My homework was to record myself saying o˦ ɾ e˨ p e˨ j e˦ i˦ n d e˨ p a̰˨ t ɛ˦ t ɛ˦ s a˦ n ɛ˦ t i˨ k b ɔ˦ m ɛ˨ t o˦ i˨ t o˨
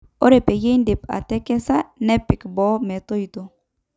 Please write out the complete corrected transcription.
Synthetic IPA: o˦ ɾ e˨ p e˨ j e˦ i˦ n d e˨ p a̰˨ t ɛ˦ k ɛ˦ s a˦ n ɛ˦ p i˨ k b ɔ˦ m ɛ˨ t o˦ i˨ t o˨